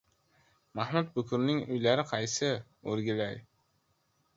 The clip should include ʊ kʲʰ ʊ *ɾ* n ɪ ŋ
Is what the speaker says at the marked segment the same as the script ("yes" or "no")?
yes